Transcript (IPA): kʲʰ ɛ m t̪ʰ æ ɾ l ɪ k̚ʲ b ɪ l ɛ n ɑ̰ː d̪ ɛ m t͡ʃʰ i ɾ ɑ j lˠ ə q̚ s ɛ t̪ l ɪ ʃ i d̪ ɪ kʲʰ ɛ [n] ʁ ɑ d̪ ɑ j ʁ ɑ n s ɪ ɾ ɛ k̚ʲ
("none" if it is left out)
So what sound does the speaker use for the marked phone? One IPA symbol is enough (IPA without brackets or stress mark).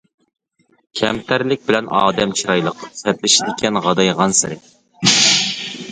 n